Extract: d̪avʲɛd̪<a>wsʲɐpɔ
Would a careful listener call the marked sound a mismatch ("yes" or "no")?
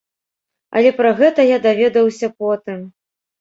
yes